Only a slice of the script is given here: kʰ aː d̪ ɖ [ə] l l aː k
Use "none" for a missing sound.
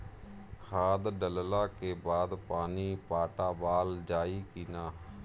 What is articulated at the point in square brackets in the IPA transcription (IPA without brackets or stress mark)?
ə